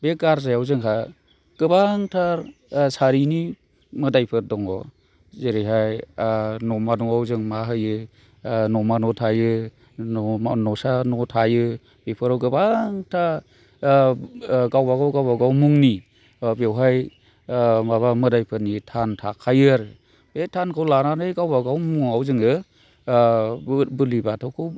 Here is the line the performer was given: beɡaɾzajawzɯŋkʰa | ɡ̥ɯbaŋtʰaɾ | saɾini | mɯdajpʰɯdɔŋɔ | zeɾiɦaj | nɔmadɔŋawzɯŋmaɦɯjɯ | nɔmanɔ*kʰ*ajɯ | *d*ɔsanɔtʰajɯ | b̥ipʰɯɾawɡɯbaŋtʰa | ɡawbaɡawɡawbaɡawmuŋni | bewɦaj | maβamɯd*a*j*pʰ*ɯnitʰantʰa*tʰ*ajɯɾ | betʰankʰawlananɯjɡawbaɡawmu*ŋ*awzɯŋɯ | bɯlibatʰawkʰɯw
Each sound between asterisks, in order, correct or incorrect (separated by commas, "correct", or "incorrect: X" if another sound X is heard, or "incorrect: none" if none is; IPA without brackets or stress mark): incorrect: tʰ, incorrect: n, correct, correct, incorrect: kʰ, correct